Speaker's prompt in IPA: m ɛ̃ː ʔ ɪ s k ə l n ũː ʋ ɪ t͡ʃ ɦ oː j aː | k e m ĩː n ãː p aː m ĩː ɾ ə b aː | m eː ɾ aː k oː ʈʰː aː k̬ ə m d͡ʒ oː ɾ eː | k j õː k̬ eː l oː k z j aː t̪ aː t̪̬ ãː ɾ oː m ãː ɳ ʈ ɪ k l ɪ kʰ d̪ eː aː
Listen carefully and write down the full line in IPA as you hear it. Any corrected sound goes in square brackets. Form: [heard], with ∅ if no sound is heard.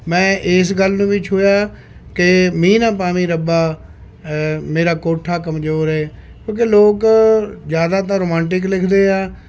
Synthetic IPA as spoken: m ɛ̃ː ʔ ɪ s [ɡ] ə l n ũː ʋ ɪ t͡ʃ ɦ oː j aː | k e m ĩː n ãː p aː m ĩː ɾ ə b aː | m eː ɾ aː k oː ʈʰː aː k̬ ə m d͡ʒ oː ɾ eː | k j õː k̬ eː l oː k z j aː [d̪] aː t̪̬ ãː ɾ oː m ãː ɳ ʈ ɪ k l ɪ kʰ d̪ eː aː

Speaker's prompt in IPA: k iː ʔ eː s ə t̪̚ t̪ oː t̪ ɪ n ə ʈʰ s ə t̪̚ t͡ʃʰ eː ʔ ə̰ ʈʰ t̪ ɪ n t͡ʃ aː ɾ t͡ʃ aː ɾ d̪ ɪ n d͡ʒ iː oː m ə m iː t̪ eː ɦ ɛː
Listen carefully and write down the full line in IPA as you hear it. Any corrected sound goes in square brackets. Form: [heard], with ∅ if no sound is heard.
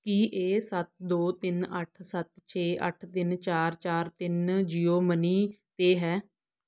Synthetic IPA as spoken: k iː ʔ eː s ə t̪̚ [d̪] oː t̪ ɪ n ə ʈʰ s ə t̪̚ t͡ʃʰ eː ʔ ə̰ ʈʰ t̪ ɪ n t͡ʃ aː ɾ t͡ʃ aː ɾ [t̪] ɪ n d͡ʒ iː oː m ə [n] iː t̪ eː ɦ ɛː

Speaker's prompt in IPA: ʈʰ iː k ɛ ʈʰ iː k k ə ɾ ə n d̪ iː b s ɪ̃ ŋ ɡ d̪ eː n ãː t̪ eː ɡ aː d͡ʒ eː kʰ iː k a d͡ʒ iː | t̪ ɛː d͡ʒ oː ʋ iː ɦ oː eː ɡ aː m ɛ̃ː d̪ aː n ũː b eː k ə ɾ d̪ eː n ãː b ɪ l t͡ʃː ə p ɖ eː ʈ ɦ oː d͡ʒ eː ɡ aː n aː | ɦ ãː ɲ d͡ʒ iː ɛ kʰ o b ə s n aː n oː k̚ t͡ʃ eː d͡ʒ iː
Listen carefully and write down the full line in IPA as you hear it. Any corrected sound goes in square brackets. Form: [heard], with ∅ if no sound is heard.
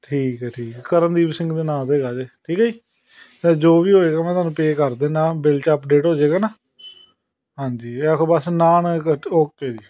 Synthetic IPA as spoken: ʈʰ iː k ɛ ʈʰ iː k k ə ɾ ə n d̪ iː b s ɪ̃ ŋ ɡ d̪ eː n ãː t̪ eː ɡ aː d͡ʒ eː [ʈʰ] iː k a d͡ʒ iː | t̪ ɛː d͡ʒ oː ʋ iː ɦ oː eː ɡ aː m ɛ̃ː [t̪] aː n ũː [p] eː k ə ɾ d̪ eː n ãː b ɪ l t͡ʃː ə p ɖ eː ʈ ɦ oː d͡ʒ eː ɡ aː n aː | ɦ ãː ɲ d͡ʒ iː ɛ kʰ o b ə s n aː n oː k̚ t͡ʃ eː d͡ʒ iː

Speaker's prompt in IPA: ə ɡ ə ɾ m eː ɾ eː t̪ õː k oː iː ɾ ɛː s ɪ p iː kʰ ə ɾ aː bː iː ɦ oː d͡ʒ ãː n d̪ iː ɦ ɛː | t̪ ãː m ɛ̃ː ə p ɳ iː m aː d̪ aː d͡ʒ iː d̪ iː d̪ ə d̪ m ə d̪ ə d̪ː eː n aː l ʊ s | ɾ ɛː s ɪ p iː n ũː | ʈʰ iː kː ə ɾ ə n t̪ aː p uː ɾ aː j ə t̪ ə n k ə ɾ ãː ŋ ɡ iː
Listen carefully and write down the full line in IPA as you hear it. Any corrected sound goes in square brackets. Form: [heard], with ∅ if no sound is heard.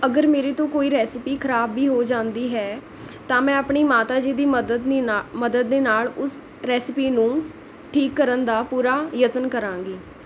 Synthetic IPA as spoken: ə ɡ ə ɾ m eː ɾ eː t̪ õː k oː iː ɾ ɛː s ɪ p iː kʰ ə ɾ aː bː iː ɦ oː d͡ʒ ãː n d̪ iː ɦ ɛː | t̪ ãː m ɛ̃ː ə p ɳ iː m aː [t̪] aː d͡ʒ iː d̪ iː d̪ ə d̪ m ə d̪ ə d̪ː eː n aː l ʊ s | ɾ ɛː s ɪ p iː n ũː | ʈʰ iː kː ə ɾ ə n [d̪] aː p uː ɾ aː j ə t̪ ə n k ə ɾ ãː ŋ ɡ iː

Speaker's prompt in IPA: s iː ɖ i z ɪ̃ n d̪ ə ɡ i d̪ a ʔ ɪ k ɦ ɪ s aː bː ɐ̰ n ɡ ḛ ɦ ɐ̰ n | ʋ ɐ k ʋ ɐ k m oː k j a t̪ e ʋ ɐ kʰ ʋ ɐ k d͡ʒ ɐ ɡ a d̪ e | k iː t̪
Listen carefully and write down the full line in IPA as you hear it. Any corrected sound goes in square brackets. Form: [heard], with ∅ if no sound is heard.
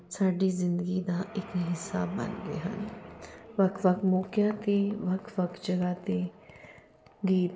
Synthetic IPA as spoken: s [aː] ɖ i z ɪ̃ n d̪ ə ɡ i d̪ a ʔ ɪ k ɦ ɪ s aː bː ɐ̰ n ɡ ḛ ɦ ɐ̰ n | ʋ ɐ k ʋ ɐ k m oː k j a t̪ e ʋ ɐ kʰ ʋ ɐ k d͡ʒ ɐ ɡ a [t̪] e | [ɡ] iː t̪

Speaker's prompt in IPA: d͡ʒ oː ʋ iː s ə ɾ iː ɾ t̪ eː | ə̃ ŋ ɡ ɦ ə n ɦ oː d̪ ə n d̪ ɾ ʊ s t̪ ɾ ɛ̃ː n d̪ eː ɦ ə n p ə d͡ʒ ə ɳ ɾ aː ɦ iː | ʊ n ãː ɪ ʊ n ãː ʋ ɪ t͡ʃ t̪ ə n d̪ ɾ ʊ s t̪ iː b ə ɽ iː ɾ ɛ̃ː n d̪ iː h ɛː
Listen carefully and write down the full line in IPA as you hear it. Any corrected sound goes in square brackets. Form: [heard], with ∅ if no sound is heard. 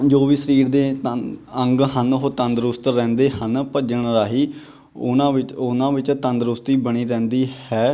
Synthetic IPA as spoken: d͡ʒ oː ʋ iː s ə ɾ iː ɾ [d̪] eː | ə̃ ŋ ɡ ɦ ə n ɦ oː [t̪] ə n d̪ ɾ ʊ s t̪ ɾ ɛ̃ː n d̪ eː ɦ ə n p ə d͡ʒ ə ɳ ɾ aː ɦ iː | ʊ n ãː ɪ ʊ n ãː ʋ ɪ t͡ʃ t̪ ə n d̪ ɾ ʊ s t̪ iː b ə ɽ iː ɾ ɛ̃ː n d̪ iː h ɛː

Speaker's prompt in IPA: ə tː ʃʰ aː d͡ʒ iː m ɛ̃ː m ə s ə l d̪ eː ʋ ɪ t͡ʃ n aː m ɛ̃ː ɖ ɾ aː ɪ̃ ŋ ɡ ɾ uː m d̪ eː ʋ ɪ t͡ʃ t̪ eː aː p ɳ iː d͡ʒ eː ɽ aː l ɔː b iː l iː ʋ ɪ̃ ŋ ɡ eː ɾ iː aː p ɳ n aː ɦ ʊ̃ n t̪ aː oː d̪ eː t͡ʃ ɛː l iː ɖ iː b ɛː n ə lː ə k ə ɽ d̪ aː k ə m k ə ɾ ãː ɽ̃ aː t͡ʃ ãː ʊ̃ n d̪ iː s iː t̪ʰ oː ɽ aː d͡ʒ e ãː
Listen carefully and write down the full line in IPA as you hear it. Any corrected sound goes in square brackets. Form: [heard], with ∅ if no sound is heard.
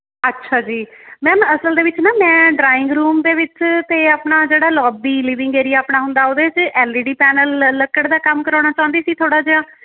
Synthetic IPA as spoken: ə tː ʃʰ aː d͡ʒ iː m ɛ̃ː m ə s ə l d̪ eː ʋ ɪ t͡ʃ n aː m ɛ̃ː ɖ ɾ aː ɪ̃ ŋ ɡ ɾ uː m d̪ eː ʋ ɪ t͡ʃ t̪ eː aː p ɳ [aː] d͡ʒ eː ɽ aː l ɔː b iː l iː ʋ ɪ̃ ŋ ɡ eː ɾ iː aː p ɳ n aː ɦ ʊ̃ n [d̪] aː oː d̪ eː t͡ʃ ɛː l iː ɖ iː [p] ɛː n ə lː ə k ə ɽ d̪ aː k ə m k ə ɾ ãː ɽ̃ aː t͡ʃ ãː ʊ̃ n d̪ iː s iː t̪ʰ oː ɽ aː d͡ʒ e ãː

